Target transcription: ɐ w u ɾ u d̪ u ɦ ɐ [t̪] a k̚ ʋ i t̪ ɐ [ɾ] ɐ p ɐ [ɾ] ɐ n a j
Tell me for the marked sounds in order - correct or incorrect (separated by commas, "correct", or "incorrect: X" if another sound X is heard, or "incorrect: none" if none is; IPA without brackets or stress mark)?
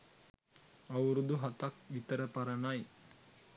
correct, correct, correct